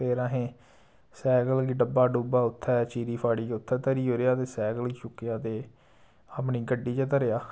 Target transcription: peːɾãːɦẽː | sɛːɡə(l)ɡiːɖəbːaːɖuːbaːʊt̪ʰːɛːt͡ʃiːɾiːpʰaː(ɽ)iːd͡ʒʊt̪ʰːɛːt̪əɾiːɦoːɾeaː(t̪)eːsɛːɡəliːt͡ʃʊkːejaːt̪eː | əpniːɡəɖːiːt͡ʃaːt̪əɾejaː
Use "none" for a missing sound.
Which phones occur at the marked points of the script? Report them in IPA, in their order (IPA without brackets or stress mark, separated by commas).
l, ɽ, t̪